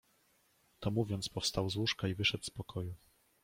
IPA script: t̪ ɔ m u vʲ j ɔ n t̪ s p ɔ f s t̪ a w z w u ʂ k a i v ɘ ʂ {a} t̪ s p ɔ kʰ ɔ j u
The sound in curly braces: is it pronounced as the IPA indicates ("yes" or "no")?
no